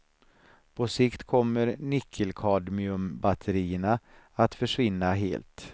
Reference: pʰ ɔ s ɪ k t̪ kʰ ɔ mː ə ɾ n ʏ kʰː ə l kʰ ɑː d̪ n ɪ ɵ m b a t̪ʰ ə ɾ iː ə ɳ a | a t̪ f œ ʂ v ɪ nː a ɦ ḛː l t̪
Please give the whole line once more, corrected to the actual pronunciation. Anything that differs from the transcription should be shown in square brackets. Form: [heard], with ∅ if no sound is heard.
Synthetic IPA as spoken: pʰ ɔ s ɪ k t̪ kʰ ɔ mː ə ɾ n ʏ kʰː ə l kʰ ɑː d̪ [m] ɪ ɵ m b a t̪ʰ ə ɾ iː ə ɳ a | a t̪ f œ ʂ v ɪ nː a ɦ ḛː l t̪